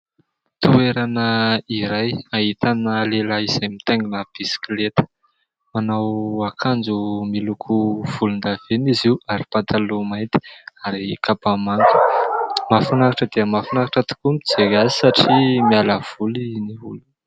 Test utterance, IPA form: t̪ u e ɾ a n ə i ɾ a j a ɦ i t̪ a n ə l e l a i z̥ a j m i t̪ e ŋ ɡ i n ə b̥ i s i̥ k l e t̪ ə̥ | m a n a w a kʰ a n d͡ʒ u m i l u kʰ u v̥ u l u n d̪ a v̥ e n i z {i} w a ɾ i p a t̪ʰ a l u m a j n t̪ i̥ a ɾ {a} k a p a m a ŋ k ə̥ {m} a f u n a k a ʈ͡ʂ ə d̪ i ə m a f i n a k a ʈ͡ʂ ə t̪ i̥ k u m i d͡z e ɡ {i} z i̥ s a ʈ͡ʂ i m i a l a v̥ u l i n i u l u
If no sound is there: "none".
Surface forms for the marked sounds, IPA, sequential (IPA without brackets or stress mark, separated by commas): i, i, m, a